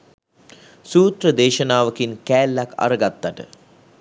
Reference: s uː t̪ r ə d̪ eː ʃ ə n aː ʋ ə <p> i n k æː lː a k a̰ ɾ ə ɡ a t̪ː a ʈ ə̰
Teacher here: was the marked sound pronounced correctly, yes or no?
no